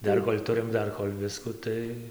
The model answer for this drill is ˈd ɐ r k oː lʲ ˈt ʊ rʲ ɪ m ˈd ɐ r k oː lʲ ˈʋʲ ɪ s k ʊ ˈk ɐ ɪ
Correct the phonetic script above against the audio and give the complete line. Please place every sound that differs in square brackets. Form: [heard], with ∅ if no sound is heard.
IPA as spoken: ˈd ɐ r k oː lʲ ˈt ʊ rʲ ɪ m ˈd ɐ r k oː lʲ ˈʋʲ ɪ s k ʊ [ˈt] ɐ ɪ